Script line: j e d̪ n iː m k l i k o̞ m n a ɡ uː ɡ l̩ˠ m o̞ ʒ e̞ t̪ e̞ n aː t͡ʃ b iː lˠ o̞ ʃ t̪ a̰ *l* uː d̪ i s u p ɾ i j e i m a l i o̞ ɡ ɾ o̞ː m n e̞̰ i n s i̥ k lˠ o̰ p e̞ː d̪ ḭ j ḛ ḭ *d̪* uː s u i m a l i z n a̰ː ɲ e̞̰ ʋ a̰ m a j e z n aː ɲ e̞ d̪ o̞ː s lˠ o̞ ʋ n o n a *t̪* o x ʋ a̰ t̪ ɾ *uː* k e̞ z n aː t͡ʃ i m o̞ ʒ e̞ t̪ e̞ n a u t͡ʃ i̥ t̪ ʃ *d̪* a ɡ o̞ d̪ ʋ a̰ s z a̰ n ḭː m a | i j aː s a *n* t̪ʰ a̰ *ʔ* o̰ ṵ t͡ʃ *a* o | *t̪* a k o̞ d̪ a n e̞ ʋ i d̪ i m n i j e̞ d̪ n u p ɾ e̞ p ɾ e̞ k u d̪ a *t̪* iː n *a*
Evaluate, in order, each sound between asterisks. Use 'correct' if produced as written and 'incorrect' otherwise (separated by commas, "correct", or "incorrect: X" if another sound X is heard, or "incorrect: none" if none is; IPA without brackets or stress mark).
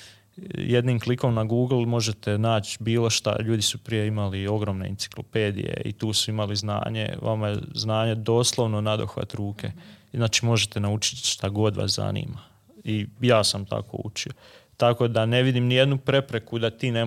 incorrect: ʎ, incorrect: t̪, incorrect: d̪, correct, incorrect: t̪, incorrect: m, incorrect: k, incorrect: i, correct, correct, incorrect: e